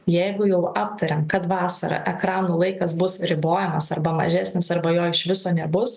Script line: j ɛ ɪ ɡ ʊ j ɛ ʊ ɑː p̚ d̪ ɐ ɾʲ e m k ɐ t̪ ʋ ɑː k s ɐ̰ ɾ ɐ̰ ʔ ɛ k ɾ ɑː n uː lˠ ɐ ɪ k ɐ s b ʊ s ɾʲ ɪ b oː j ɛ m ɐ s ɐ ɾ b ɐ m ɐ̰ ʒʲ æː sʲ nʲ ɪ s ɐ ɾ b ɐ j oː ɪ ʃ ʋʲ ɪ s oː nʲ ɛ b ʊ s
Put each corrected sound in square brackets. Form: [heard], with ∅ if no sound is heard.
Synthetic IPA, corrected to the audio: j ɛ ɪ ɡ ʊ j ɛ ʊ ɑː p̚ [t̪] ɐ ɾʲ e m k ɐ t̪ ʋ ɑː [∅] s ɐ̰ ɾ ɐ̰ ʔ ɛ k ɾ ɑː n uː lˠ ɐ ɪ k ɐ s b ʊ s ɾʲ ɪ b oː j ɛ m ɐ s ɐ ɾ b ɐ m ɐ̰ ʒʲ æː sʲ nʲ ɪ s ɐ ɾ b ɐ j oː ɪ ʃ ʋʲ ɪ s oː nʲ ɛ b ʊ s